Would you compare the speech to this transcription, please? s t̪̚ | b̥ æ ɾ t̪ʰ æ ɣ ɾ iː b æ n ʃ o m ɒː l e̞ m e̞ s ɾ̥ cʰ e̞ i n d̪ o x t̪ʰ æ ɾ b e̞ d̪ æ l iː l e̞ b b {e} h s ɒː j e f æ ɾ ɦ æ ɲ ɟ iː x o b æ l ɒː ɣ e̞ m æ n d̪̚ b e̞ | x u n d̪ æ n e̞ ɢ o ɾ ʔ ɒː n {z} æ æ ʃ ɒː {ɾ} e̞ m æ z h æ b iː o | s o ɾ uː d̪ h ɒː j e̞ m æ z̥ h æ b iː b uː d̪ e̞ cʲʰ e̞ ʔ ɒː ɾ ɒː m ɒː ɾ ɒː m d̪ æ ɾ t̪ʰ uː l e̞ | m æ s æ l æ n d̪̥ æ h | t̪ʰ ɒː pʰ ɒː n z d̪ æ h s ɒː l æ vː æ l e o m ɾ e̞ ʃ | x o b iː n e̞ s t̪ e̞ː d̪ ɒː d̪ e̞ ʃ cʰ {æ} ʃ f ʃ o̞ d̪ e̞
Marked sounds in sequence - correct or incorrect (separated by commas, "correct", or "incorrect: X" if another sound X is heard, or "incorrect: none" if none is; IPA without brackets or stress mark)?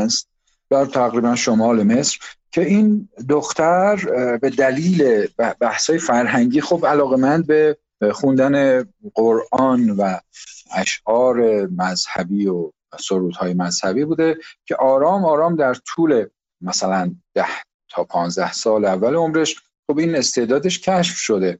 incorrect: æ, incorrect: v, correct, correct